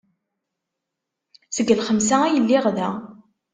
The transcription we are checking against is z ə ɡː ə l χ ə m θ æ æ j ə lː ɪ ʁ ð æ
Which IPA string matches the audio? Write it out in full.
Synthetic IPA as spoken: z ə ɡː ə l χ ə m s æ æ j ə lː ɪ ʁ ð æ